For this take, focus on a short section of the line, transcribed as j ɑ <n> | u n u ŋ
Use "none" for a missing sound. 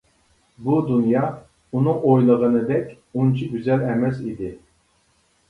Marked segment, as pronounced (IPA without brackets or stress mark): none